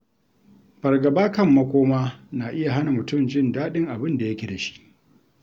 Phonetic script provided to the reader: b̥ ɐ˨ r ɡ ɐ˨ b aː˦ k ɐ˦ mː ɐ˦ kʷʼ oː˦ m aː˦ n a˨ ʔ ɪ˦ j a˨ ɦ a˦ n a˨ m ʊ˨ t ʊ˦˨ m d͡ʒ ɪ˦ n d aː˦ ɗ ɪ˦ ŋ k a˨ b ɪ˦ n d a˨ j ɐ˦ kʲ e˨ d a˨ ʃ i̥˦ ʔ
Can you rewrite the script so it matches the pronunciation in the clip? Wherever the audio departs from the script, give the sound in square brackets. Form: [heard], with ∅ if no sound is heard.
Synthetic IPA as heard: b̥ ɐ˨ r ɡ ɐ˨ b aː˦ k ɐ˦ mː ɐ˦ [kʷ] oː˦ m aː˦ n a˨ ʔ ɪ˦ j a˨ ɦ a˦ n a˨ m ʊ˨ t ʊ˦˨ m d͡ʒ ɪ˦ n d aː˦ ɗ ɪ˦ ŋ [ʔ] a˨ b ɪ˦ n d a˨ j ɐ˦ kʲ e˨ d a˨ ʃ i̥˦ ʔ